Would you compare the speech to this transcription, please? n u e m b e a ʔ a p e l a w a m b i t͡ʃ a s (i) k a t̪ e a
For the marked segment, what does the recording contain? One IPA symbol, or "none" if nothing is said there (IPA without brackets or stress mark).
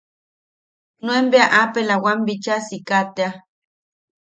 i